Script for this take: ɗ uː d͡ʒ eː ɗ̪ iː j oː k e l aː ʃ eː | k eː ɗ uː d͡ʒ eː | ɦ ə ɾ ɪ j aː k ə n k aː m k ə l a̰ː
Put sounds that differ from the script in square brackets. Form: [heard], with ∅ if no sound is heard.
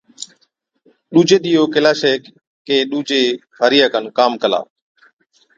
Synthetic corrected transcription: ɗ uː d͡ʒ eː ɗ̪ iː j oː k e l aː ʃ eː | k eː ɗ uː d͡ʒ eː | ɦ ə ɾ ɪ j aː k ə n k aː m k ə l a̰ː